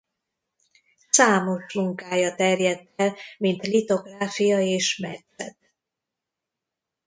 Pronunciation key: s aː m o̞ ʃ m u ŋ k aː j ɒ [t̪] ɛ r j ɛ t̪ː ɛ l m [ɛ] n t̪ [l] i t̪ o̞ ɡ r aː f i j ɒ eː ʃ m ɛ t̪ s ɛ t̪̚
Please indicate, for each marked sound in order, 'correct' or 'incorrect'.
correct, incorrect: i, correct

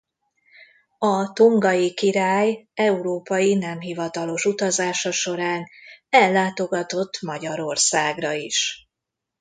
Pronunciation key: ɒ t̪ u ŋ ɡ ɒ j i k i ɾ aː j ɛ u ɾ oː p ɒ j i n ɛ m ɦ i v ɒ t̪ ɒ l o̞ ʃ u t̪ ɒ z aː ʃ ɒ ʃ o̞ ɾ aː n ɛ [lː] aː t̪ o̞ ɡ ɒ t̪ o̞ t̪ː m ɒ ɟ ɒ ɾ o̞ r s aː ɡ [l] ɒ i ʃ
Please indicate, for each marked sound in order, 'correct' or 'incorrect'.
correct, incorrect: r

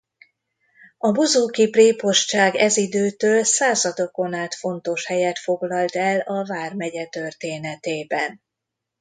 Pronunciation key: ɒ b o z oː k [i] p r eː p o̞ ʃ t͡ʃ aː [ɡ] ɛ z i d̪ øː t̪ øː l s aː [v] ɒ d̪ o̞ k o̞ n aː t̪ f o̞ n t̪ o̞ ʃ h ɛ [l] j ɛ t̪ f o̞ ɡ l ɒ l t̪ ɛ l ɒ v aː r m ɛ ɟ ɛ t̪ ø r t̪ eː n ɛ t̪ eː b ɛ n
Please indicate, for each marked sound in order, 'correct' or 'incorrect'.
correct, correct, incorrect: z, incorrect: none

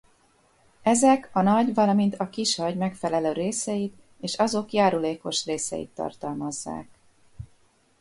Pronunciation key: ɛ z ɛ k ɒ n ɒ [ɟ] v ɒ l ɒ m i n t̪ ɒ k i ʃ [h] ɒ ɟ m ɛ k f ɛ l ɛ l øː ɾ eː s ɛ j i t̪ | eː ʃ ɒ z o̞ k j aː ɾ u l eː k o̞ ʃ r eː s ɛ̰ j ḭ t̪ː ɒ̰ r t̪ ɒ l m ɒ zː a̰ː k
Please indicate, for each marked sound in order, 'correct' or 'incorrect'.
correct, correct

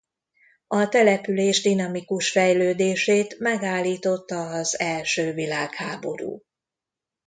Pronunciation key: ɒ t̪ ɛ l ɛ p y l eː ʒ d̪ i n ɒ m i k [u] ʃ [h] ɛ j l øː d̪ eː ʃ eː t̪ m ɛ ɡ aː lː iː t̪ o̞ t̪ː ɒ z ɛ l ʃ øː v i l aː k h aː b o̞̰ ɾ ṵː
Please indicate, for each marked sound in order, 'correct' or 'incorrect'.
correct, incorrect: f

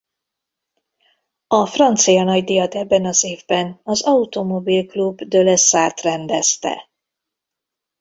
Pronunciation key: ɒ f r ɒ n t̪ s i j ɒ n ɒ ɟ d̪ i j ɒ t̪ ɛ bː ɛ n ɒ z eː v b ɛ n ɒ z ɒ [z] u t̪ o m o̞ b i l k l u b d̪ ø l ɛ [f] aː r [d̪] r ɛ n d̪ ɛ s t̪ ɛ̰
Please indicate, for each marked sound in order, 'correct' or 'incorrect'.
incorrect: none, incorrect: s, incorrect: t̪

